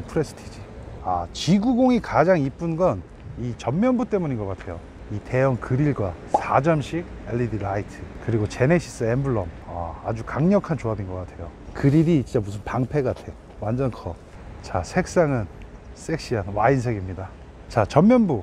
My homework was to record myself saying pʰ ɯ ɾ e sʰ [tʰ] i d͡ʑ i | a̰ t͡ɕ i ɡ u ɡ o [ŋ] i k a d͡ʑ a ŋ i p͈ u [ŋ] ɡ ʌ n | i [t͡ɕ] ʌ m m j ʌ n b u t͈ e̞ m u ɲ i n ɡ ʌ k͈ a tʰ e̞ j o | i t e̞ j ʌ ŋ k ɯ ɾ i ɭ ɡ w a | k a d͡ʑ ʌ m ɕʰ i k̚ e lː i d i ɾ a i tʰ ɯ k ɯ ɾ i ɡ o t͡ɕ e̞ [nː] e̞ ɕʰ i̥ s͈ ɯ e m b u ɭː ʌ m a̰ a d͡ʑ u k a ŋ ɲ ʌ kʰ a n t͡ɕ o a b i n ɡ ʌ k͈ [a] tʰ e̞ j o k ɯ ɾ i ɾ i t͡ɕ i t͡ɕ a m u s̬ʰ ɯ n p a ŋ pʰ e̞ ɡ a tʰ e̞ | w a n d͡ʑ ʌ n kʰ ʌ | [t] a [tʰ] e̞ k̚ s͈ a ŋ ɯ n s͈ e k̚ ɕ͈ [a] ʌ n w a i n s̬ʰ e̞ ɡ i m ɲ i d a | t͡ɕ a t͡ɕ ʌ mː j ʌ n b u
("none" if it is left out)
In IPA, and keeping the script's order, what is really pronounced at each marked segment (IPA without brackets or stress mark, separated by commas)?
tʰ, ŋ, n, t͡ɕ, n, a, t͡ɕ, sʰ, i